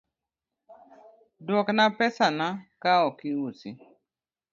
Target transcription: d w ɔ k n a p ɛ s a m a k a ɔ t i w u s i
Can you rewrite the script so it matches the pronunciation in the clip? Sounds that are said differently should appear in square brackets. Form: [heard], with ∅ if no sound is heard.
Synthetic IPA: d w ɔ k n a p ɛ s a [n] a k a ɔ [k] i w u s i

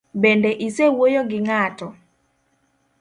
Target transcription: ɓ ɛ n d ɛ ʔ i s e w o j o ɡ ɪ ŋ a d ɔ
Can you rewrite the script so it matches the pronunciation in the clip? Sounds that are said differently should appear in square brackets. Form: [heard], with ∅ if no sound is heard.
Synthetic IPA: [b] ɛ n d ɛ ʔ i s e w o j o ɡ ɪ ŋ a [t] ɔ

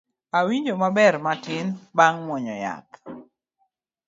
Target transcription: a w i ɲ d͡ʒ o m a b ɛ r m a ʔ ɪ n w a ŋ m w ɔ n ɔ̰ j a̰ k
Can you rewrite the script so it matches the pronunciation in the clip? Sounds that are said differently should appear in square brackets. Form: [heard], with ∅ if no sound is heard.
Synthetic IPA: a w i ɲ d͡ʒ o m a b ɛ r m a [t] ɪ n [b] a ŋ m w ɔ [ɲ] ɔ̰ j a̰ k

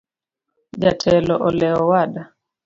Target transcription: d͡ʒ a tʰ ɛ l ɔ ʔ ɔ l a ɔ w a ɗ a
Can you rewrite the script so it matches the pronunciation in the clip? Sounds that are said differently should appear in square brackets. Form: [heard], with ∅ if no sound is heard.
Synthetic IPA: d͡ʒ a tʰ ɛ l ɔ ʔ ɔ l [ɛ] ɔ w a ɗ a

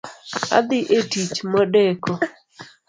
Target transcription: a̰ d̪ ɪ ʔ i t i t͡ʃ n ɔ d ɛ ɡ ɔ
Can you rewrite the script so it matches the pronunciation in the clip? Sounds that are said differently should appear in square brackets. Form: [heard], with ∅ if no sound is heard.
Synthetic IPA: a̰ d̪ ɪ ʔ [e] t i t͡ʃ [m] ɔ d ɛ [k] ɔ

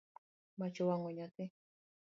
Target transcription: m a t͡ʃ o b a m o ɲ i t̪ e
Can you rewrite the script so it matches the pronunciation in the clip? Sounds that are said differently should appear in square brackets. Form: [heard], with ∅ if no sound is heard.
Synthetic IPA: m a t͡ʃ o [w] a [ŋ] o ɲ [a] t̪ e

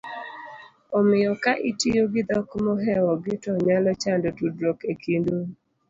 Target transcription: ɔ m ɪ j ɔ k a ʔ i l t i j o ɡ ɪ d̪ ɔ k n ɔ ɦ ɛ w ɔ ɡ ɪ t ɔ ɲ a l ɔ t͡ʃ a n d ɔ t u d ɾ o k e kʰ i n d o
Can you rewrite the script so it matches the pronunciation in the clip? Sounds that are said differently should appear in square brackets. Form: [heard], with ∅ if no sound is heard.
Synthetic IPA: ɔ m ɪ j ɔ k a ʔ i [∅] t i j o ɡ ɪ d̪ ɔ k [m] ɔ ɦ ɛ w ɔ ɡ ɪ t ɔ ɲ a l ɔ t͡ʃ a n d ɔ t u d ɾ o k e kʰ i n d o

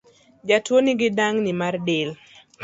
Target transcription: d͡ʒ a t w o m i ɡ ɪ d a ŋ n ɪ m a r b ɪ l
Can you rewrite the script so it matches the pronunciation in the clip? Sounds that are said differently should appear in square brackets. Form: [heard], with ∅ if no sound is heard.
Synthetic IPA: d͡ʒ a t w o [n] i ɡ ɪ d a ŋ n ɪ m a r [d] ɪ l

